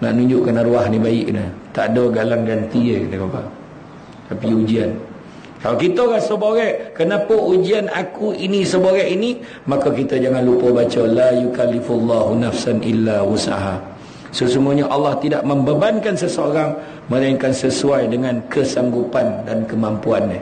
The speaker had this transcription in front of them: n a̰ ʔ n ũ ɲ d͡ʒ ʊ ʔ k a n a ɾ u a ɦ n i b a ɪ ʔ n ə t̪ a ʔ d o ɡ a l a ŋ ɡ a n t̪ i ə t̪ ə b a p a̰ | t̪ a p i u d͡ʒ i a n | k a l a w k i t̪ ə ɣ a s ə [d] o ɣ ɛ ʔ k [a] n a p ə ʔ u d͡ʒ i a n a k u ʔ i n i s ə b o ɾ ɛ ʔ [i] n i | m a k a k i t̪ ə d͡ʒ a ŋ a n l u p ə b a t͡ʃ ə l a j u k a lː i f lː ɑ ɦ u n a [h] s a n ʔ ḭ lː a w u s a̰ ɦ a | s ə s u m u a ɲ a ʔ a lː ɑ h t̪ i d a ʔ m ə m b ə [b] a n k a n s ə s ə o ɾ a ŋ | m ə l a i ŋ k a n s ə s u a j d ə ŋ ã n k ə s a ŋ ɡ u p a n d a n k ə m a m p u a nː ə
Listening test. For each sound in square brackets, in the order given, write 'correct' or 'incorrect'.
incorrect, incorrect, correct, incorrect, correct

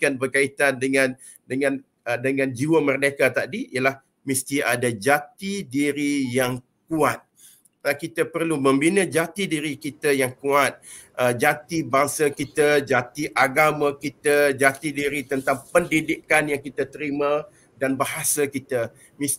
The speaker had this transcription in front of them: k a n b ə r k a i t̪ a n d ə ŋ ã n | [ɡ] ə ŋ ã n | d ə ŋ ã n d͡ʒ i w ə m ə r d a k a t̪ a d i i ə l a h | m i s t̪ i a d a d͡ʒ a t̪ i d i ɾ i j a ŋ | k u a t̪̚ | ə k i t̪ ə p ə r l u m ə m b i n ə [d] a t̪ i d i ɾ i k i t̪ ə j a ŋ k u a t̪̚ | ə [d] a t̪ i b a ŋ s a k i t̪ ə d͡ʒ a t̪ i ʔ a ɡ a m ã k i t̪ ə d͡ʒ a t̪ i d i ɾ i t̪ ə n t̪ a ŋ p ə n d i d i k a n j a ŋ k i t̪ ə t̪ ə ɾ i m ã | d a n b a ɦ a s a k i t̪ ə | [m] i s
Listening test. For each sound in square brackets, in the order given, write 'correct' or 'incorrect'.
incorrect, incorrect, incorrect, correct

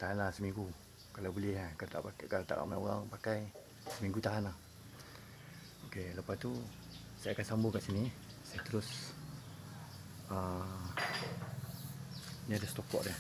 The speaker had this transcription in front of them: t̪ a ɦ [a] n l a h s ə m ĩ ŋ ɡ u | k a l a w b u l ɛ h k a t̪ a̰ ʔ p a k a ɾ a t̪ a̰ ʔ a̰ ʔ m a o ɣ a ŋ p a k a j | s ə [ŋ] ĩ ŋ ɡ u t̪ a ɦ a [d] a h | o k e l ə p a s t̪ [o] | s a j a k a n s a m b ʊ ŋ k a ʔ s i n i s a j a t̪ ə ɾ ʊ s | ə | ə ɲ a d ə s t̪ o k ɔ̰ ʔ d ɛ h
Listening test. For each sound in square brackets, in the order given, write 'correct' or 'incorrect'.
correct, incorrect, incorrect, incorrect

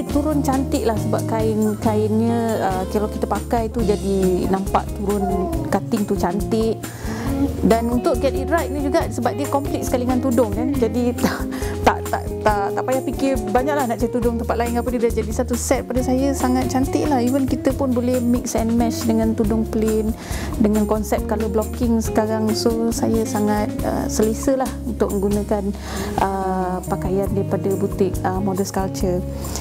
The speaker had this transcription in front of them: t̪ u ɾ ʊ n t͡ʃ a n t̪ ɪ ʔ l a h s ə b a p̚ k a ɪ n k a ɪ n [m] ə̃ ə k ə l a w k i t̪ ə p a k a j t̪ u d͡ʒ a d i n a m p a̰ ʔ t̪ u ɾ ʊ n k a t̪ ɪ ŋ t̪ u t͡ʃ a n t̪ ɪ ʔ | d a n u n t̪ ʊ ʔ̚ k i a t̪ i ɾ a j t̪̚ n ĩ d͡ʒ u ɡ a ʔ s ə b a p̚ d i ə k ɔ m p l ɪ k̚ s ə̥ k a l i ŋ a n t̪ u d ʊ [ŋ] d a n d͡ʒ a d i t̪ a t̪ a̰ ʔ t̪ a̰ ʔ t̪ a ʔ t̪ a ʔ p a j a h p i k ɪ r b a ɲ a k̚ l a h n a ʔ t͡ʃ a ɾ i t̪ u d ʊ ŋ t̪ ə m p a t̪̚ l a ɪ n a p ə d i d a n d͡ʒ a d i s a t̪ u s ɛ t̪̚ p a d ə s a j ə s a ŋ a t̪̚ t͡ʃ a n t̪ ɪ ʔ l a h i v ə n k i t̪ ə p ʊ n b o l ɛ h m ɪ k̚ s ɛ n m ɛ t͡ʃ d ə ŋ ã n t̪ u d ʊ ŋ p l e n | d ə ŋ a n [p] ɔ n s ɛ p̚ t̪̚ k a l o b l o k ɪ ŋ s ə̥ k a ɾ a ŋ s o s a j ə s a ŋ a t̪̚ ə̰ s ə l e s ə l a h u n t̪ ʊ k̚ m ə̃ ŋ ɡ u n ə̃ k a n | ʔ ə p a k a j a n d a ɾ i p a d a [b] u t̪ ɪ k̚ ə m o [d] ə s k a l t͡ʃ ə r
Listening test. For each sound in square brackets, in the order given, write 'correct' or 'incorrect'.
incorrect, correct, incorrect, correct, correct

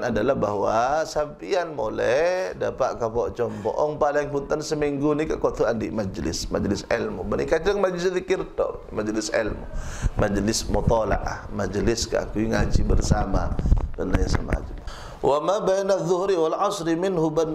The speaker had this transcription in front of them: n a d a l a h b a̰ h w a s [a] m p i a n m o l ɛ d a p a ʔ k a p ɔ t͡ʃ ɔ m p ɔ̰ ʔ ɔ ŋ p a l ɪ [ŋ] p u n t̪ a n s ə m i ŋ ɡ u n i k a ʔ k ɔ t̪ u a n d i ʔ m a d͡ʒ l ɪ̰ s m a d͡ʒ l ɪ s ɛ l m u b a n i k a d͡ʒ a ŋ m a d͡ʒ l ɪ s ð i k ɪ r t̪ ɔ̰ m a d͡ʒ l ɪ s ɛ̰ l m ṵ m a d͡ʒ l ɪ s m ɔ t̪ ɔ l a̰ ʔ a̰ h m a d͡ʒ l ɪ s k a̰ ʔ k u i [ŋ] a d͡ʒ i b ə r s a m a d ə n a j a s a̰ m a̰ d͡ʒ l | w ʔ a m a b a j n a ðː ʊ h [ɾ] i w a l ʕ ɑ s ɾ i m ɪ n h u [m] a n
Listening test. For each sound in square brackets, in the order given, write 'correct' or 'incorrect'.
correct, correct, correct, correct, incorrect

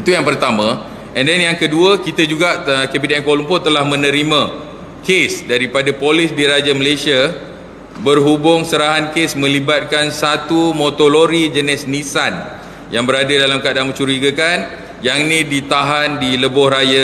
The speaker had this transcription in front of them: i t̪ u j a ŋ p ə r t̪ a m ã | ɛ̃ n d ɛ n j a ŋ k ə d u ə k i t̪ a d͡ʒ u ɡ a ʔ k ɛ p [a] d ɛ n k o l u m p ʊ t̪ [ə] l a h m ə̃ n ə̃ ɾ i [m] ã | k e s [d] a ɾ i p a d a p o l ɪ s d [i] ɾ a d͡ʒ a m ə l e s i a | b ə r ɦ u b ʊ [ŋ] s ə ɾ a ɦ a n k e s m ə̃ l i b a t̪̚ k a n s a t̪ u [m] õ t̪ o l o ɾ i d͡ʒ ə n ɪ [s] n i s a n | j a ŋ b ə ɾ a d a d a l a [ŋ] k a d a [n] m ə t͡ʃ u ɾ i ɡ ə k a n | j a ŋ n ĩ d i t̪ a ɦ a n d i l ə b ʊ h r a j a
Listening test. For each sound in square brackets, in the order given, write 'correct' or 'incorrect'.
incorrect, correct, correct, correct, correct, correct, correct, correct, incorrect, incorrect

